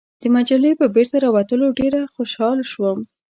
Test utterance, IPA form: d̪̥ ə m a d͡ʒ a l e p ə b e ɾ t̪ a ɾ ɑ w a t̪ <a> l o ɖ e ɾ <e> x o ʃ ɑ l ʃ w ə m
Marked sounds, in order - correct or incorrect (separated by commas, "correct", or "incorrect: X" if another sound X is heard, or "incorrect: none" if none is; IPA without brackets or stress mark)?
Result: incorrect: ə, incorrect: a